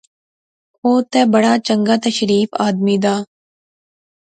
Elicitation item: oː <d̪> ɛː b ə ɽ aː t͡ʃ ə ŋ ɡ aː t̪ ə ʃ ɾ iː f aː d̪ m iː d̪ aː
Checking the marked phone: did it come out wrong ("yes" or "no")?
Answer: yes